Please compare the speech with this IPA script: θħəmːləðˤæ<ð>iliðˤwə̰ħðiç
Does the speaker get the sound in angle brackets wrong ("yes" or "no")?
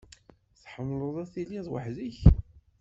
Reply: yes